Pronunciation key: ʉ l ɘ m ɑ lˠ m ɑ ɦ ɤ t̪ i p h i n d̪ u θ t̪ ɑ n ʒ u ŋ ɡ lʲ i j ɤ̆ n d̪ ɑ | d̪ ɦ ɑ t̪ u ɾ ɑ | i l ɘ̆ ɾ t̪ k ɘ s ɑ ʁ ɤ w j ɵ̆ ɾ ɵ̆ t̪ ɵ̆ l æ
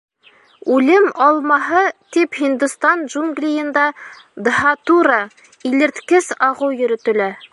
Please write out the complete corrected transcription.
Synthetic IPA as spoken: ʉ l ɘ m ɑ lˠ m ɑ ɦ ɤ t̪ i p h i n d̪ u s t̪ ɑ n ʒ u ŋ ɡ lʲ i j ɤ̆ n d̪ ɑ | d̪ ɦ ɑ t̪ u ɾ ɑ | i l ɘ̆ ɾ t̪ k ɘ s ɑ ʁ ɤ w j ɵ̆ ɾ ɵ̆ t̪ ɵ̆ l æ